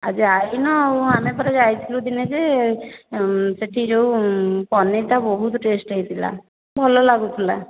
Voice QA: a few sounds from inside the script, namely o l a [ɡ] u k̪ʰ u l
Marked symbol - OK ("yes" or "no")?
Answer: yes